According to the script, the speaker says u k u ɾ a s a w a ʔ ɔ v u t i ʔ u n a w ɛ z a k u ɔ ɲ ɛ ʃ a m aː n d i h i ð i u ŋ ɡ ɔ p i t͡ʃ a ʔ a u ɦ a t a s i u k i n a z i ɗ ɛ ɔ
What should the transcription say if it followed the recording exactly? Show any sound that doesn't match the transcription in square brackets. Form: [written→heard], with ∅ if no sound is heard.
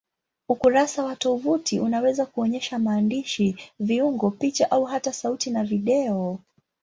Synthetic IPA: u k u ɾ a s a w a [ʔ→t] ɔ v u t i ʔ u n a w ɛ z a k u ɔ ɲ ɛ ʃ a m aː n d i [h→ʃ] i [ð→v] i u ŋ ɡ ɔ p i t͡ʃ a ʔ a u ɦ a t a s [i→a] u [k→t] i n a [z→v] i ɗ ɛ ɔ